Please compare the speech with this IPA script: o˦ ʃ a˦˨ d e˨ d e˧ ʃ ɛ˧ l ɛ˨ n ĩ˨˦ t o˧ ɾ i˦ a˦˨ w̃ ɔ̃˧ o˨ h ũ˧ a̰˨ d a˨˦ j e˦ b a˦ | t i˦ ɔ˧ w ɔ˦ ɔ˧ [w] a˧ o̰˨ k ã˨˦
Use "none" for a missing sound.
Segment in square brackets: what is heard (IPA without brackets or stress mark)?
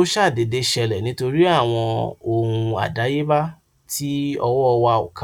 w